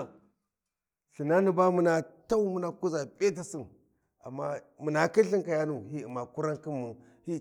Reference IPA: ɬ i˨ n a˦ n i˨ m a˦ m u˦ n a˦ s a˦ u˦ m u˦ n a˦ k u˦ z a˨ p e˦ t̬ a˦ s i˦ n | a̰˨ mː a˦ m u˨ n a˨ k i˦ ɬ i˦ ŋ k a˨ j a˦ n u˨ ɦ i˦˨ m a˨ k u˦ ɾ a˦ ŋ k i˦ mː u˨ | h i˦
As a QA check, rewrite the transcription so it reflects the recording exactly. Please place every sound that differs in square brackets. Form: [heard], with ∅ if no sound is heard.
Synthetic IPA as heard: ɬ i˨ n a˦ n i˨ [b] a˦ m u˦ n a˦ [t] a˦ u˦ m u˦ n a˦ k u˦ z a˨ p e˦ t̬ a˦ s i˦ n | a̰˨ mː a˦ m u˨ n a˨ k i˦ ɬ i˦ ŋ k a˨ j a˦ n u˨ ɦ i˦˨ m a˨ k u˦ ɾ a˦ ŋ k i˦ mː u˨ | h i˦